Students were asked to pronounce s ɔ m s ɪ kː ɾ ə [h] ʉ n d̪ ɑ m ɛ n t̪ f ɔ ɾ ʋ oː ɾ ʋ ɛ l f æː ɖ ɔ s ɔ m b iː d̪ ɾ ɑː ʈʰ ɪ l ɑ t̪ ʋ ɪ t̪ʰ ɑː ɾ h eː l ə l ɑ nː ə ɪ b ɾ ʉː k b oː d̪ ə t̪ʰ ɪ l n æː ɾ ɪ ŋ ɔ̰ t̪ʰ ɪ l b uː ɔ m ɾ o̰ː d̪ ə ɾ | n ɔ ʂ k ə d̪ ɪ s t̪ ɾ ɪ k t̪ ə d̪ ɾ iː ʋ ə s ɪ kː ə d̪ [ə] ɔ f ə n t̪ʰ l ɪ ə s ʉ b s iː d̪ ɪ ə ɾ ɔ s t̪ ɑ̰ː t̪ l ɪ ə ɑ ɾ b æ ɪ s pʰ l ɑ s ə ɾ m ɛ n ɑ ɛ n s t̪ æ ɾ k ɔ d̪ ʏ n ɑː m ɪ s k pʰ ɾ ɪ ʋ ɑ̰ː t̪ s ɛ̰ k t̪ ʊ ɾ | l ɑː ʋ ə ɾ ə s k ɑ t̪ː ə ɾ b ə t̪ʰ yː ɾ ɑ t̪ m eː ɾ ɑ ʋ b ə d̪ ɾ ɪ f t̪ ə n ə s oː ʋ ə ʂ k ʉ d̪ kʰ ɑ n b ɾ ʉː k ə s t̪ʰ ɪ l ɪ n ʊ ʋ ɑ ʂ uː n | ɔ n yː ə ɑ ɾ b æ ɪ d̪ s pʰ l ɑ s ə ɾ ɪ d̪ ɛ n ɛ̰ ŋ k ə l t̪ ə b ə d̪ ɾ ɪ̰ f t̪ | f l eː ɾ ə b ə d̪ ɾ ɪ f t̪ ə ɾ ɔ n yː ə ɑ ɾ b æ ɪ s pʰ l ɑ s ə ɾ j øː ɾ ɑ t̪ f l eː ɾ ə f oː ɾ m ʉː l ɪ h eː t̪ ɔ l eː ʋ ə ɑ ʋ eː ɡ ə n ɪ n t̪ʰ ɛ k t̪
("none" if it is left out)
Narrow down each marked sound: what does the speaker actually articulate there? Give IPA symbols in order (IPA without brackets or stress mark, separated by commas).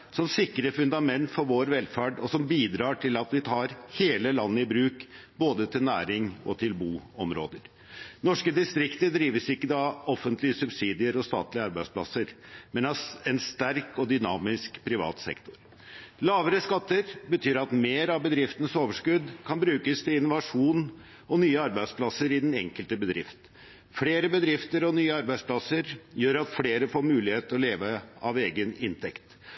f, ɑ